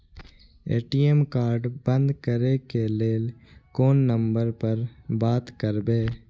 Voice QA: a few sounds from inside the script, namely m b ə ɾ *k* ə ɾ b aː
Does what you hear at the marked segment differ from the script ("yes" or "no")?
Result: yes